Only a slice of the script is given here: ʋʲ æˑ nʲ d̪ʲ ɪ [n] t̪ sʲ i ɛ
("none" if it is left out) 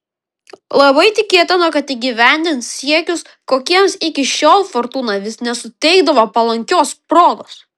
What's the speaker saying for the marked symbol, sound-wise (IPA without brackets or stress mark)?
n